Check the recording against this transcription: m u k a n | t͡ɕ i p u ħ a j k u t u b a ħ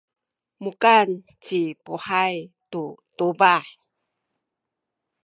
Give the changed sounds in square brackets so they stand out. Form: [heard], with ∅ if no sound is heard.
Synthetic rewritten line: m u k a n | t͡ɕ i p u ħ a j [t] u t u b a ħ